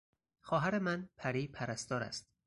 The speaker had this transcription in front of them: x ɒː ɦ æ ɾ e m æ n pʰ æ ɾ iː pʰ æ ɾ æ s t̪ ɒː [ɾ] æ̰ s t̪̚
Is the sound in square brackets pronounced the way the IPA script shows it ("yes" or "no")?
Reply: yes